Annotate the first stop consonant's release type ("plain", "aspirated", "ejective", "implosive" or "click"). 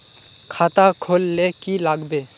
aspirated